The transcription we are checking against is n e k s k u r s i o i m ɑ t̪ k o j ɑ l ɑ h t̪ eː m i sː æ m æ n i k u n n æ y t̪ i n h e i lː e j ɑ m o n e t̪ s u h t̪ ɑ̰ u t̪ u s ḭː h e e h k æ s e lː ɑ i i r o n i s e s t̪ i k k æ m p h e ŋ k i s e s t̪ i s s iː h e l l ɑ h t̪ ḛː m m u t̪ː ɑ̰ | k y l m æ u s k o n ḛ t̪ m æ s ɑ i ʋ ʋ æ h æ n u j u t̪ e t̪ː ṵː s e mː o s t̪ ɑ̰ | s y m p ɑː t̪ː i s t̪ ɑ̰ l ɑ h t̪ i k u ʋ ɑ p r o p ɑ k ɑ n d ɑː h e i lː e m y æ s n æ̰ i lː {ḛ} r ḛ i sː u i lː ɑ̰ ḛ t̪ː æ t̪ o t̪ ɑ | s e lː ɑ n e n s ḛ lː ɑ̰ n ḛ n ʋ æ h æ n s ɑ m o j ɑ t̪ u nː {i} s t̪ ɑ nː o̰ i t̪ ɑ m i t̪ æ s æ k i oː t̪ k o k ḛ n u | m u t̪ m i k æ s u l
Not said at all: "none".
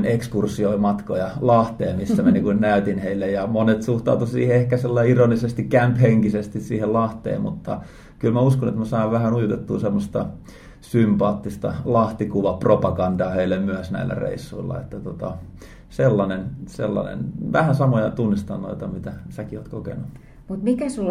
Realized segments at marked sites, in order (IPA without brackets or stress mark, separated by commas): æ̰, i